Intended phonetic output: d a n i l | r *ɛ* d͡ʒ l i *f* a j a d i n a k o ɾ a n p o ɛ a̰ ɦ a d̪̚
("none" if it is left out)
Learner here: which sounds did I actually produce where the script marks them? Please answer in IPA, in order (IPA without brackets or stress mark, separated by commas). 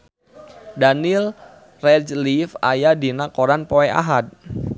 ɛ, f